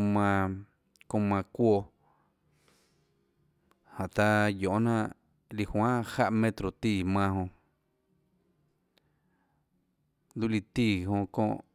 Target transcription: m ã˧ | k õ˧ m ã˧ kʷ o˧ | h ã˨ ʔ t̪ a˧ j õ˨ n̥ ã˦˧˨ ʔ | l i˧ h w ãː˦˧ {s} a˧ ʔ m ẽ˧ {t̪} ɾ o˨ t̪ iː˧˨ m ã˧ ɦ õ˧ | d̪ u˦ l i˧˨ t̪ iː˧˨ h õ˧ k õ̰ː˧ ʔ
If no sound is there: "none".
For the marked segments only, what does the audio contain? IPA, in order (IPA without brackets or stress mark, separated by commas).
h, t̪